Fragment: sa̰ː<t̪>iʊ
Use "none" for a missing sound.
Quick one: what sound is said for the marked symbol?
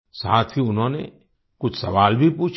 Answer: t̪ʰ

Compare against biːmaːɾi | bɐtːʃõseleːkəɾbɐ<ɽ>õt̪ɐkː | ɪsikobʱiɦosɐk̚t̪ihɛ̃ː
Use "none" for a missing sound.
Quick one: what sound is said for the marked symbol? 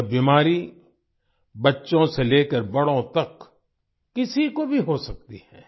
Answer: ɽ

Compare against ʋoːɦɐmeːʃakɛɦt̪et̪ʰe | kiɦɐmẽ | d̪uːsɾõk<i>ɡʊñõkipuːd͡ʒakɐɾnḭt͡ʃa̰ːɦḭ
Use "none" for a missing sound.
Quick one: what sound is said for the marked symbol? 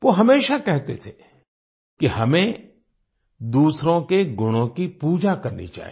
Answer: e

